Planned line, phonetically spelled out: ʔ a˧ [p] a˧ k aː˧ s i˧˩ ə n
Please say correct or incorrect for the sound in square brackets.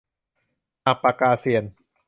correct